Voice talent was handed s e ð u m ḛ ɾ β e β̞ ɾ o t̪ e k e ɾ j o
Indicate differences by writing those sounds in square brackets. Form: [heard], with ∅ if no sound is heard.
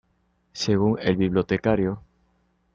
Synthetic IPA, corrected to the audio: s e [ɣ] u [ŋ] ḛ [l] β [i] β̞ [l] o t̪ e k [a] ɾ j o